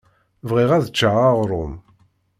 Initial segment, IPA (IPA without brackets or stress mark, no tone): v